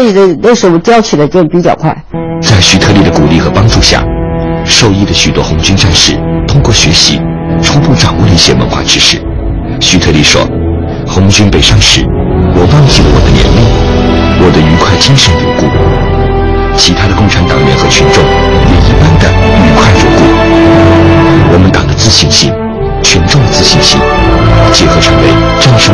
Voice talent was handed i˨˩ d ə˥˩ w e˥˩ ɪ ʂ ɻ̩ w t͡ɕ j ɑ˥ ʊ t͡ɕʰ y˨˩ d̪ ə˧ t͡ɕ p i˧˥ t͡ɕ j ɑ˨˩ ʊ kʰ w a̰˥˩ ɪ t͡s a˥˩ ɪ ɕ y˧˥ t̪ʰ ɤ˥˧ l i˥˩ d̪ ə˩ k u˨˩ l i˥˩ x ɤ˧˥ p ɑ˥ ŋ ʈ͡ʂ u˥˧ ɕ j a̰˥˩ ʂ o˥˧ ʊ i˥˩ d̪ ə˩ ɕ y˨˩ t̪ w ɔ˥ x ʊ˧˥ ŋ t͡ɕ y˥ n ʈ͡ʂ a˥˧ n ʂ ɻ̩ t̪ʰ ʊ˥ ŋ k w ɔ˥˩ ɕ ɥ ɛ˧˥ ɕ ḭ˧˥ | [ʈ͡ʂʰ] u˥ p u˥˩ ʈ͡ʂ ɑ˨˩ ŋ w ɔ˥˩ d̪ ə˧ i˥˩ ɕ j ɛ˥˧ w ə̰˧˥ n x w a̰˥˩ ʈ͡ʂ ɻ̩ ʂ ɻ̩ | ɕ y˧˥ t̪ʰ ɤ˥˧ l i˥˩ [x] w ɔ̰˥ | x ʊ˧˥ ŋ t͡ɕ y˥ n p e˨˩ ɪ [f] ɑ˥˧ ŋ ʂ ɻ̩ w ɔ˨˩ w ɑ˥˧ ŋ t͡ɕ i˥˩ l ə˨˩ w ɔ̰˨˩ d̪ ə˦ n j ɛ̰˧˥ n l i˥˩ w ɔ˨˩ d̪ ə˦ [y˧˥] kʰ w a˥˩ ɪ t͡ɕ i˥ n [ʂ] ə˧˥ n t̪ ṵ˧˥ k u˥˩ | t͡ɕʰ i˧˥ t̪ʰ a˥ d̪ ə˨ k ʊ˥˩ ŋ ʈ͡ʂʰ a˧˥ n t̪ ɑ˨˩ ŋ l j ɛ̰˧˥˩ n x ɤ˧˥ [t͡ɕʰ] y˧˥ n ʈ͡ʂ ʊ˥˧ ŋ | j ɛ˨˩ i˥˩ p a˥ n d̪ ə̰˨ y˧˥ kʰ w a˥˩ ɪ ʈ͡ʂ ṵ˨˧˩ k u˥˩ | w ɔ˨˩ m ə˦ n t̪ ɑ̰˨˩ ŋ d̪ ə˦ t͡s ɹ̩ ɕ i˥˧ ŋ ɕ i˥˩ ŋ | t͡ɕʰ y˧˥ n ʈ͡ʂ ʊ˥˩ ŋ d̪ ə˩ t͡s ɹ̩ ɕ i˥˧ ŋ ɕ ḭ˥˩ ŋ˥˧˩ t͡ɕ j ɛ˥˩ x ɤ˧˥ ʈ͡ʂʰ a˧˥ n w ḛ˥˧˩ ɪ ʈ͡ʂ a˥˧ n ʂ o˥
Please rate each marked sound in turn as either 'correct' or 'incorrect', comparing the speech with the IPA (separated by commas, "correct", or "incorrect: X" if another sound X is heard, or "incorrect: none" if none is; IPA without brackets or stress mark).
correct, incorrect: ʂ, incorrect: ʂ, correct, correct, correct